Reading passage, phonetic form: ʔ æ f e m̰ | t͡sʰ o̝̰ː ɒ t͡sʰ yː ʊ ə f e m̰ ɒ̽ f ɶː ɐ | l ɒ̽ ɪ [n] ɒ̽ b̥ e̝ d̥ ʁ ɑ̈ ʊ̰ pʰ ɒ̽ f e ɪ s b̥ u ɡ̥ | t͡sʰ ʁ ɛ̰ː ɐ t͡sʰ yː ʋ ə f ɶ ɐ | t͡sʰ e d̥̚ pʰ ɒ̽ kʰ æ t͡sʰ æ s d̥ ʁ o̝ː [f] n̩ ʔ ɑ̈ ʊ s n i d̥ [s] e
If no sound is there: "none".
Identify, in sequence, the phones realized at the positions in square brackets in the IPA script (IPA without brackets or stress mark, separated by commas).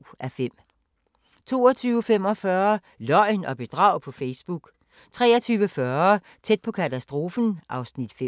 n, f, f